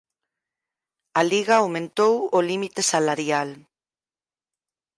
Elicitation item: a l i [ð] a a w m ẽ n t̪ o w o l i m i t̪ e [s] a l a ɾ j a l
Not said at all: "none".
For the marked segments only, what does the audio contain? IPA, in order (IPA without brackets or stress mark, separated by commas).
ɣ, s